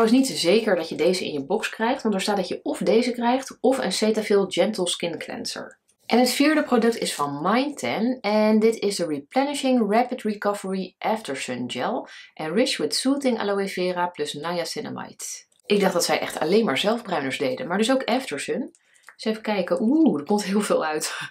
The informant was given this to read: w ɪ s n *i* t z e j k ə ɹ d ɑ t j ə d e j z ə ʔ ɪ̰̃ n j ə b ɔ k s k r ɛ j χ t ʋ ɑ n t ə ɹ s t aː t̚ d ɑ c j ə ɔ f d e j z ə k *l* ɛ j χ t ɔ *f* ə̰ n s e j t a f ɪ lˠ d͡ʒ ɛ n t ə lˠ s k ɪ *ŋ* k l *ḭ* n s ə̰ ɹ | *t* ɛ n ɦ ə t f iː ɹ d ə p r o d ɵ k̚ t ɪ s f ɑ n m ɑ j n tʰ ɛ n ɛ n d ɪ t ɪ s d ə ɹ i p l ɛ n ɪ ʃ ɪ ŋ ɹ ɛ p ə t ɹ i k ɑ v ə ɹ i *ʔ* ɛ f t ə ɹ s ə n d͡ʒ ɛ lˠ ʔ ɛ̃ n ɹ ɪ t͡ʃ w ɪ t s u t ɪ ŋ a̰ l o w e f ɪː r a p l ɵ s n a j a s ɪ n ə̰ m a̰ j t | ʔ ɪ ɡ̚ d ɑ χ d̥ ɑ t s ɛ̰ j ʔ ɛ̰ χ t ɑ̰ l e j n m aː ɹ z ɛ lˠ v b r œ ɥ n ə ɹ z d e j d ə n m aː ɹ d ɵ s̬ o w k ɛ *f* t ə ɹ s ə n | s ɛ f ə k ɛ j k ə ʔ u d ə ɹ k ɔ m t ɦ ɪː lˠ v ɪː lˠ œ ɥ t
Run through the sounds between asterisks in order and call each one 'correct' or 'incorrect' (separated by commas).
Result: correct, incorrect, correct, incorrect, incorrect, incorrect, correct, correct